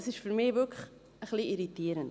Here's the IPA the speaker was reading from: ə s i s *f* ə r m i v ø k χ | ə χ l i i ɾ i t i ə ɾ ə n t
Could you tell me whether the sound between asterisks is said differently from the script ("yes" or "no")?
no